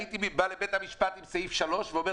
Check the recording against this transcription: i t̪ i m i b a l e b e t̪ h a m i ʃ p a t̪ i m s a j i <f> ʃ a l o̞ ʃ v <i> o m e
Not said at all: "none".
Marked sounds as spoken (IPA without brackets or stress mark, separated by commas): f, e